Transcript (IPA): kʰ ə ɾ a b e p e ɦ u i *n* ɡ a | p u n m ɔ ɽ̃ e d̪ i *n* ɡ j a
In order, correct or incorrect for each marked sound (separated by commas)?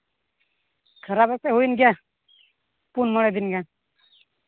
correct, correct